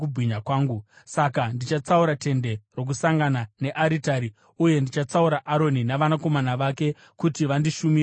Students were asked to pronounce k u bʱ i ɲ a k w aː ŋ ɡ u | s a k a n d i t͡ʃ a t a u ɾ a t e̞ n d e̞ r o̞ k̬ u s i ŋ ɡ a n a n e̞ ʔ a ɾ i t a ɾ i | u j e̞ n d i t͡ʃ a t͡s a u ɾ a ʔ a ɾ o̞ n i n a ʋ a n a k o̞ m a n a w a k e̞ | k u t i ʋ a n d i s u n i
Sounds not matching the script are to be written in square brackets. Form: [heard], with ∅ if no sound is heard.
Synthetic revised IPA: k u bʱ i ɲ a k w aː ŋ ɡ u | s a k a n d i t͡ʃ a [t͡s] a u ɾ a t e̞ n d e̞ r o̞ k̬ u s [a] ŋ ɡ a n a n e̞ ʔ a ɾ i t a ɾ i | u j e̞ n d i t͡ʃ a t͡s a u ɾ a ʔ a ɾ o̞ n i n a ʋ a n a k o̞ m a n a [ʋ] a k e̞ | k u t i ʋ a n d i [ʃ] u [m] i